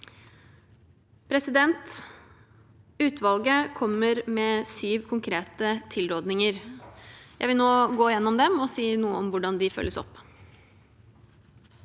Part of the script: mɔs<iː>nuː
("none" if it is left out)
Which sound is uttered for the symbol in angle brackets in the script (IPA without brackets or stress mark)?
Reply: iː